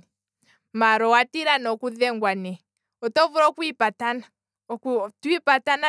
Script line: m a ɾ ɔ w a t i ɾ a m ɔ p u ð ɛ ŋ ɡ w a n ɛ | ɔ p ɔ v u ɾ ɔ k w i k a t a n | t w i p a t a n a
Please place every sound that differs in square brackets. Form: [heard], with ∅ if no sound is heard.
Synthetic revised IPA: m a ɾ ɔ w a t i ɾ a [n] ɔ [k] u ð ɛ ŋ ɡ w a n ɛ | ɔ [t] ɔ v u ɾ ɔ k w i [p] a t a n | t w i p a t a n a